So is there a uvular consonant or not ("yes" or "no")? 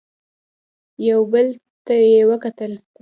no